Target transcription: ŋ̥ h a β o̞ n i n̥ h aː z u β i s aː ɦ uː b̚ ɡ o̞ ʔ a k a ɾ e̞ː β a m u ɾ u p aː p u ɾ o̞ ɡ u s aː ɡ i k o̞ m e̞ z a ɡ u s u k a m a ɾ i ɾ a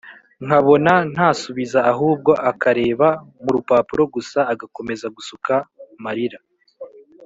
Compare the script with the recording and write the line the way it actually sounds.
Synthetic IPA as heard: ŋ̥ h a β o̞ n a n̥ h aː s u β i z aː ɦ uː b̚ ɡ o̞ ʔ a k a ɾ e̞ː β a m u ɾ u p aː p u ɾ o̞ ɡ u s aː ɡ a k o̞ m e̞ z a ɡ u s u k a m a ɾ i ɾ a